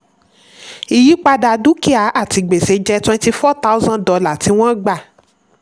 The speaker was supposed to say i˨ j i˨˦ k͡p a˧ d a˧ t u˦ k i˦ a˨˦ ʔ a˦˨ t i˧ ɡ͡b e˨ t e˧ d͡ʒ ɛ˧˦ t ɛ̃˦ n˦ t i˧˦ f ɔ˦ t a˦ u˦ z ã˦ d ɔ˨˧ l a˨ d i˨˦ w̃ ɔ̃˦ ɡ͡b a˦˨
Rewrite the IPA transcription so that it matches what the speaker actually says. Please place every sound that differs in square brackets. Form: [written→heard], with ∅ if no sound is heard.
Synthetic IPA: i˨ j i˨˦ k͡p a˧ d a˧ [t→d] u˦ k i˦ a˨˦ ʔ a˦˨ t i˧ ɡ͡b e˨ [t→s] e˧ d͡ʒ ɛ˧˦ t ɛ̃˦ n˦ t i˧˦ f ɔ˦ t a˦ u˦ z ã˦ d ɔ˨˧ l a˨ [d→t] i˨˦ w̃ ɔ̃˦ ɡ͡b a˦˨